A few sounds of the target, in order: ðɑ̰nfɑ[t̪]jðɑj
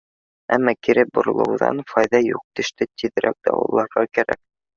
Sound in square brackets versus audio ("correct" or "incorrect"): incorrect